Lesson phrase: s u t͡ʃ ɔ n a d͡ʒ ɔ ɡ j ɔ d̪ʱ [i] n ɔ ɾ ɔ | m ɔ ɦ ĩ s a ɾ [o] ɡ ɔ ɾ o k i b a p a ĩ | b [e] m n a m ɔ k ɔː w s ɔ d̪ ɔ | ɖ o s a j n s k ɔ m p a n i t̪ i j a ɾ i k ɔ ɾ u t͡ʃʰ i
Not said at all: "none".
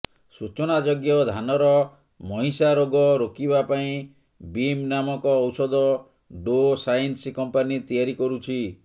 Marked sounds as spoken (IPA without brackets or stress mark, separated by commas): a, o, i